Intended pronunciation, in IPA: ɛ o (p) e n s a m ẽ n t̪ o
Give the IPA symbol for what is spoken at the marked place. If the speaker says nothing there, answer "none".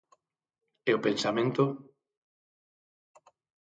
p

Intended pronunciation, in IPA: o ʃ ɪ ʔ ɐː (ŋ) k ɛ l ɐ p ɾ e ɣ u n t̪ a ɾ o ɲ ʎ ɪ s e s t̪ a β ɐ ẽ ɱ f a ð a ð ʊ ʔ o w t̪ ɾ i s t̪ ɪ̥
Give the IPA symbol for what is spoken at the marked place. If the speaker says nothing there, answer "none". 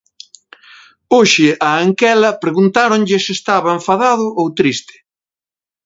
ŋ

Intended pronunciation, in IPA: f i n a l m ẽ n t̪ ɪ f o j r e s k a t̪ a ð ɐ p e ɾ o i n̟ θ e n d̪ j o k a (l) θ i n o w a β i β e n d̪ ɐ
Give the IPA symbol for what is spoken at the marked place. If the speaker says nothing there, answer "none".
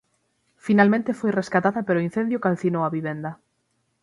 l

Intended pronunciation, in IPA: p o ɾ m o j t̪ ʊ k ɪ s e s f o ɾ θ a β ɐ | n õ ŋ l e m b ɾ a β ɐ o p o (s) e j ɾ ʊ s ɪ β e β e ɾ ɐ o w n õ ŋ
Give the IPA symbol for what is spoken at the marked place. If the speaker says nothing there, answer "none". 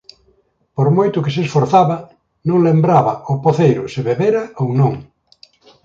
θ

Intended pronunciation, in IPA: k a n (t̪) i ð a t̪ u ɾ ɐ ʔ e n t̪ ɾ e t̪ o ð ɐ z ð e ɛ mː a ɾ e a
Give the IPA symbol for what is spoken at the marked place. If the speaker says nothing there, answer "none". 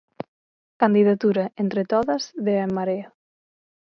d̪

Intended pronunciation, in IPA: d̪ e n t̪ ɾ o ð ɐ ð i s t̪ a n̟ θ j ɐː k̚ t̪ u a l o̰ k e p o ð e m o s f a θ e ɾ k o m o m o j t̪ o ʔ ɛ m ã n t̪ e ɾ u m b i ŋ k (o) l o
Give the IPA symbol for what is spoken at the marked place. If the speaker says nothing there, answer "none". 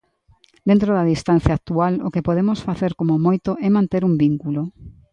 u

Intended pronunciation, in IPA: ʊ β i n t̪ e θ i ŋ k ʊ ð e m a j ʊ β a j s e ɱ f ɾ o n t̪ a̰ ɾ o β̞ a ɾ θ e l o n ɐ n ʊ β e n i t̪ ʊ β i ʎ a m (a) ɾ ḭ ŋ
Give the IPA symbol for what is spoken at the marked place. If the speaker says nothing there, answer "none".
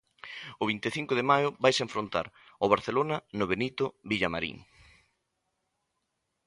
a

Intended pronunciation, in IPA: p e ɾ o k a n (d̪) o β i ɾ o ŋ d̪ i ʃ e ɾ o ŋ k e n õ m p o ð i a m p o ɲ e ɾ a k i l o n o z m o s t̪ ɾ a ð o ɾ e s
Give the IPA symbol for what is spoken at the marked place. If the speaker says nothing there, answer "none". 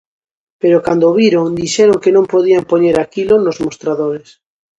d̪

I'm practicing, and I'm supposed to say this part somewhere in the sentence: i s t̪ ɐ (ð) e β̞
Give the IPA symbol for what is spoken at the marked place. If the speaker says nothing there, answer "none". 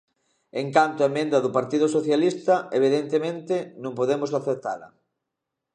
none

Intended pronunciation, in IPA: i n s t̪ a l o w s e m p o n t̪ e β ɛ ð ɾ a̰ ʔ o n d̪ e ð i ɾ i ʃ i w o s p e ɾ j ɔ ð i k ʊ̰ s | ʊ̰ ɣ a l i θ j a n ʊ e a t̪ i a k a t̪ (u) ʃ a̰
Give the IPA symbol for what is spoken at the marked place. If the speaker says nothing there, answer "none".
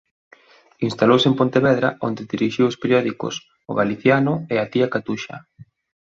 u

